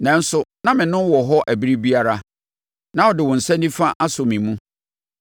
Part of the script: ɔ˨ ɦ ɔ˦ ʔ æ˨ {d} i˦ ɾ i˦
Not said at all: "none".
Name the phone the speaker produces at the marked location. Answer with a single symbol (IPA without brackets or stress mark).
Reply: b